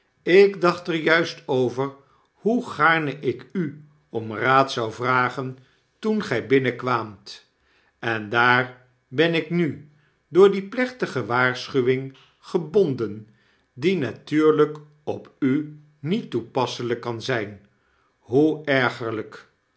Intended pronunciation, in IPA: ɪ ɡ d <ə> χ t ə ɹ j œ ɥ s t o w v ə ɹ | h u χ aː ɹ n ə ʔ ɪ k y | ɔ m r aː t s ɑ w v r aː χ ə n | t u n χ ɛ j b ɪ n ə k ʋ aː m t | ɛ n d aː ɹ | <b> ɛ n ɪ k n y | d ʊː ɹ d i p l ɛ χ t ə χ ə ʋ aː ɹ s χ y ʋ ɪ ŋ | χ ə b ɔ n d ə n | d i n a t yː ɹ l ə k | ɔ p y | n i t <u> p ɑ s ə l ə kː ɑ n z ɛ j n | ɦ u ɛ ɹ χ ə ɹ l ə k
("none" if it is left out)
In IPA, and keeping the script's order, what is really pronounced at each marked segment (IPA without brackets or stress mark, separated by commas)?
ɑ, b, u